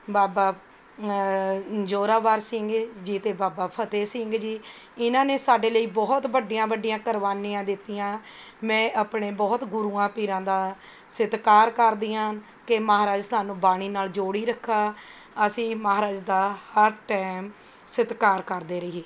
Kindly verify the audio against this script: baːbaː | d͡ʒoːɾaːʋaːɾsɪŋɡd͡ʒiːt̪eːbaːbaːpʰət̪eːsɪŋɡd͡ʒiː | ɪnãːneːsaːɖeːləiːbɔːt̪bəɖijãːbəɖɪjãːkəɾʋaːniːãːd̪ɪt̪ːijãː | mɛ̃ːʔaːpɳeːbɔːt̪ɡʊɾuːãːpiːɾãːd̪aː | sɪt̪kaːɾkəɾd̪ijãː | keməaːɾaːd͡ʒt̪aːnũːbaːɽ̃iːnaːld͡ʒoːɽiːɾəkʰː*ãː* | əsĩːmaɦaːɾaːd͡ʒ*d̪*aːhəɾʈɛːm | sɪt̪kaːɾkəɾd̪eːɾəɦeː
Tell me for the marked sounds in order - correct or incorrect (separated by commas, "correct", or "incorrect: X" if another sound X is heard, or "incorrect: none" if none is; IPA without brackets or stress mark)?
incorrect: aː, correct